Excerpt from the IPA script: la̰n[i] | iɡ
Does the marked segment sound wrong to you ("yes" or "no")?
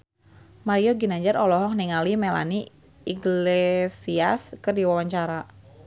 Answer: no